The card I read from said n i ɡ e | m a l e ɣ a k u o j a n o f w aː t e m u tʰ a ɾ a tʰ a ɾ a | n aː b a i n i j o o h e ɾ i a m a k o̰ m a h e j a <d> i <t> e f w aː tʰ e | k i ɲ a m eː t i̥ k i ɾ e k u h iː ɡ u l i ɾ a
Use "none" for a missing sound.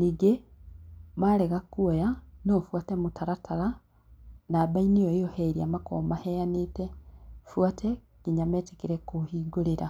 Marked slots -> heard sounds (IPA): n, t

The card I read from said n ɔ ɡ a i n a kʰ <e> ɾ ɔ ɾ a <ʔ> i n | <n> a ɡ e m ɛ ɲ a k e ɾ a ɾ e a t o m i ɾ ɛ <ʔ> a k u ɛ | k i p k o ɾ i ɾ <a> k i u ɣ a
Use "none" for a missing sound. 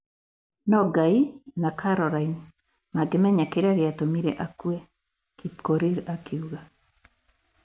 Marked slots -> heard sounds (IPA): a, none, m, ʔ, a

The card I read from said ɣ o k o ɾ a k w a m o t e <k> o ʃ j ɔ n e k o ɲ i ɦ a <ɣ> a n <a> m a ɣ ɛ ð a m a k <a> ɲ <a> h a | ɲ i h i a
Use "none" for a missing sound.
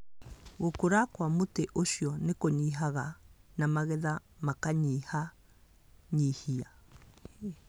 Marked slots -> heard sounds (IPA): ʔ, ɣ, a, a, i

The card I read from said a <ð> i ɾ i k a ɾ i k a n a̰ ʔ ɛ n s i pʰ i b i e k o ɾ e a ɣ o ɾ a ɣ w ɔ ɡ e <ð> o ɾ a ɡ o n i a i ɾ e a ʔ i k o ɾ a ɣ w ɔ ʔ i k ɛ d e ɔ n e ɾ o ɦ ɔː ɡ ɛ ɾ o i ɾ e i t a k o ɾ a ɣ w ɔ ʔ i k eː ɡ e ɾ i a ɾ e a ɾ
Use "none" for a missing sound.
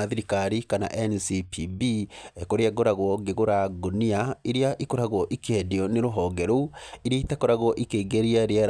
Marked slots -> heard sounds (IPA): ð, ɣ

